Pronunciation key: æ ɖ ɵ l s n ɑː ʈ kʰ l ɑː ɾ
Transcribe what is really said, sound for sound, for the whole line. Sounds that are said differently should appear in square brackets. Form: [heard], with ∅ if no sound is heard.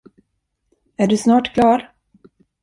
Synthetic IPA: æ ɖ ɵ [∅] s n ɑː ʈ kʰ l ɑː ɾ